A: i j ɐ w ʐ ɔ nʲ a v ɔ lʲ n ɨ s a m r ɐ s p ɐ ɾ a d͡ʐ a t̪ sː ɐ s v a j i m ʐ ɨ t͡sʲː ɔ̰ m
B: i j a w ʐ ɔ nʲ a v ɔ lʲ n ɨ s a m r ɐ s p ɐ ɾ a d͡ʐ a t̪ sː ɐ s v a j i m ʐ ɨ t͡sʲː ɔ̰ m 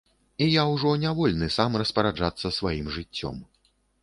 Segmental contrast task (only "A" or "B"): B